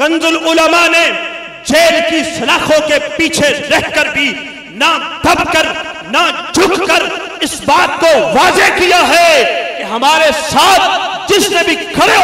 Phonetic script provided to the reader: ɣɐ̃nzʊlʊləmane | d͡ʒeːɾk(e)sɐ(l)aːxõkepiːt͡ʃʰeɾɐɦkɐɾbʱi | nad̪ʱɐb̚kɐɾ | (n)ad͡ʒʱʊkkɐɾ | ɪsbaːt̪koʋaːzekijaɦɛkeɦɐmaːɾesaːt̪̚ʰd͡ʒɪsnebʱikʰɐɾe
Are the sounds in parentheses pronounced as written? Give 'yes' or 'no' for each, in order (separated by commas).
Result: no, yes, yes